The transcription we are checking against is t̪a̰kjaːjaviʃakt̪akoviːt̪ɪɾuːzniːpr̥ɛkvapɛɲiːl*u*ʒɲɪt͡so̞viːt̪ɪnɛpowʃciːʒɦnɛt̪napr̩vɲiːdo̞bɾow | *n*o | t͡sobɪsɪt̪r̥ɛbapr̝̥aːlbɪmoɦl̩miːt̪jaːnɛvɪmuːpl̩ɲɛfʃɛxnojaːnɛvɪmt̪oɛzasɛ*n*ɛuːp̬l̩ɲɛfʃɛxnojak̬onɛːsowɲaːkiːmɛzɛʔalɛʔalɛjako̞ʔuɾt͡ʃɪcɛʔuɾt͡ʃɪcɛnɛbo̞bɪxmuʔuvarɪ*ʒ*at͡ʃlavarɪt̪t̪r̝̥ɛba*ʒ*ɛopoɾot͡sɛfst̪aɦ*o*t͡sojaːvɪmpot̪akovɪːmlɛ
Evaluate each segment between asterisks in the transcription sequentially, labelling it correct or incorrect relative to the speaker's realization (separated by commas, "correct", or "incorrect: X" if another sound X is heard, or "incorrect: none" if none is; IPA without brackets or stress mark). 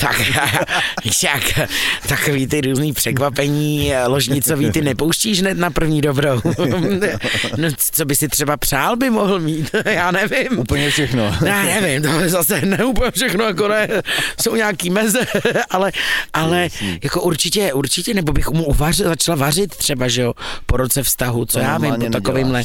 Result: incorrect: o, correct, correct, incorrect: z, correct, incorrect: u